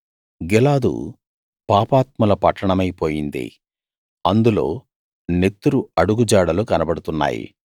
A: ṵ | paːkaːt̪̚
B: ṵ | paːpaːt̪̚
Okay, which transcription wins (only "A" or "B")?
B